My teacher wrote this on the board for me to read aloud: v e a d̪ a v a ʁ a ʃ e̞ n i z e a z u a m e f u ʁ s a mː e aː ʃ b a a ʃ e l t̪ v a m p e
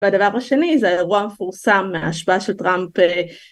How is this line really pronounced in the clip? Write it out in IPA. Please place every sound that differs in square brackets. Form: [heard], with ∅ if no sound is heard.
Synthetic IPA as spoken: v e a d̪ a v a ʁ a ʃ e̞ n i z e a [ʁ] u a m e f u ʁ s a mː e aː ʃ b a a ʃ e l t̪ [ʁ] a m p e